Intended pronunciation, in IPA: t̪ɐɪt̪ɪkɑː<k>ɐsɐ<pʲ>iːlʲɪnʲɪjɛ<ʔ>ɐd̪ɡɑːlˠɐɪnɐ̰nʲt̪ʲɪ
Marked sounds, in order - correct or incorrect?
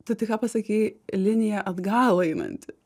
incorrect: p, incorrect: kʲ, correct

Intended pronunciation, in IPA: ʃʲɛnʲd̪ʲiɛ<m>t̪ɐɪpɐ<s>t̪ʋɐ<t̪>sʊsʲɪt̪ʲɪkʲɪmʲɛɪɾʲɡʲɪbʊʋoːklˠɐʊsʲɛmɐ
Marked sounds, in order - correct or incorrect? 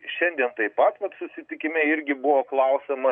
incorrect: n, incorrect: none, correct

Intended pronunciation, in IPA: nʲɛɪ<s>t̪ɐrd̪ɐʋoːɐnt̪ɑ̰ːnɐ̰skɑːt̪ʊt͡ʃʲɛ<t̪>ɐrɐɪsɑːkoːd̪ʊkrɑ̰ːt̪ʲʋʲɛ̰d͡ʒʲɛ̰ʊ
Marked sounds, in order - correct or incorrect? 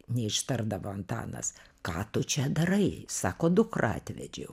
incorrect: ʃ, incorrect: d̪

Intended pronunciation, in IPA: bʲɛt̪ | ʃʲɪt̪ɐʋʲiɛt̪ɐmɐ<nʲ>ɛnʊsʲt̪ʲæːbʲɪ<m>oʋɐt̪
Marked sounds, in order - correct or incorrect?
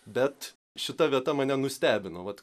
correct, incorrect: n

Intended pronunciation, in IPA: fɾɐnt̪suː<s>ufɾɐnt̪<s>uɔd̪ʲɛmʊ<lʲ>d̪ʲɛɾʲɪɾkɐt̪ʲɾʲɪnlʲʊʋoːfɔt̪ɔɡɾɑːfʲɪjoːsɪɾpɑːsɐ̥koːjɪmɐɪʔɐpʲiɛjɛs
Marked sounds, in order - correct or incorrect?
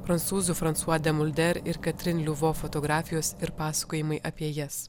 incorrect: z, correct, correct

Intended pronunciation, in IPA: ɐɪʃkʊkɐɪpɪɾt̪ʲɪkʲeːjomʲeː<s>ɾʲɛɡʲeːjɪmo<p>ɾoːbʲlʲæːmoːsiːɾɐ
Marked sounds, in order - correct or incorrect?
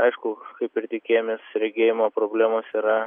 correct, correct

